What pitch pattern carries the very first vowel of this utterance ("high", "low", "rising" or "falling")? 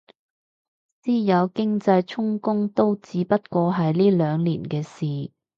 high